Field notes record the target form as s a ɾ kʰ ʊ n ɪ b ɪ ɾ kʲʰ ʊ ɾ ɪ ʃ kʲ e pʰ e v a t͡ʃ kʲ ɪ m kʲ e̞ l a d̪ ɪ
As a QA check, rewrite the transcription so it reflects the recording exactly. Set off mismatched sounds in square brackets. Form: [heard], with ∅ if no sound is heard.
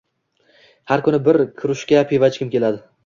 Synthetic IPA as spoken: [h] a ɾ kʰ ʊ n ɪ b ɪ ɾ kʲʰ ʊ ɾ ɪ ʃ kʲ [a] pʰ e v a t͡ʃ kʲ ɪ m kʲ e̞ l a d̪ ɪ